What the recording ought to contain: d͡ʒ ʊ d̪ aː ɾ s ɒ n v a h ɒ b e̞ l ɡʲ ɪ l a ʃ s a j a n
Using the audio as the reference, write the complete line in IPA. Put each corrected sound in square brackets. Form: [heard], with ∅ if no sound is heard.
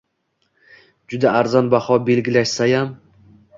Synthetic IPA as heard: d͡ʒ ʊ d̪ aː ɾ [z] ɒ n [b] a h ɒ b e̞ l ɡʲ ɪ l a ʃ s a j a [m]